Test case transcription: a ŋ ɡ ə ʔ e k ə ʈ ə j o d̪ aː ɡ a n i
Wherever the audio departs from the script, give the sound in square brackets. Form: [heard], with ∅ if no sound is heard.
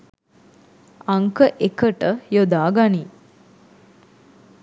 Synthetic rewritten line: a ŋ [k] ə ʔ e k ə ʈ ə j o d̪ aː ɡ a n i